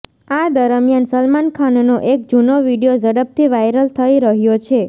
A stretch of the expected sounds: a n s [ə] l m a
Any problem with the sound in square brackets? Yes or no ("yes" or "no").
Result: no